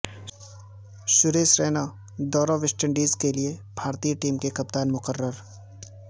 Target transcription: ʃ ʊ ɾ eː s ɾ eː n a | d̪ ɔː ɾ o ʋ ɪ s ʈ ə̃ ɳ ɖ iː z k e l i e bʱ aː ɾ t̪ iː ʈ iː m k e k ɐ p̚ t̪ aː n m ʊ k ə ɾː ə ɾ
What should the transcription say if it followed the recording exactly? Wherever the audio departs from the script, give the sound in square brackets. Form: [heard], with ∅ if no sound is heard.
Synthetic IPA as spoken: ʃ ʊ ɾ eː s ɾ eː n a | d̪ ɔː ɾ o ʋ ɪ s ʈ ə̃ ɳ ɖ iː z k e l i e bʱ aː ɾ t̪ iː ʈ iː m k e k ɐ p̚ t̪ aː n m ʊ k ə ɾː ə ɾ